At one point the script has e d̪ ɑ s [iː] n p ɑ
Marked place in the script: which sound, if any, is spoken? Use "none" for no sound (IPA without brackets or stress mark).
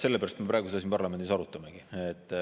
i